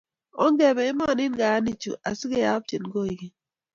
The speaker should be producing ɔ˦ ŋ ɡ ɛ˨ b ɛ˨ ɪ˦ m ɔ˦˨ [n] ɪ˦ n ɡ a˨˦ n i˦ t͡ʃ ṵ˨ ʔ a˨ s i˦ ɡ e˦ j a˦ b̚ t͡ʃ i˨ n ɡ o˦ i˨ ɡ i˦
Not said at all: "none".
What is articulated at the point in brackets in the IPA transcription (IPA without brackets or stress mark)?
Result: n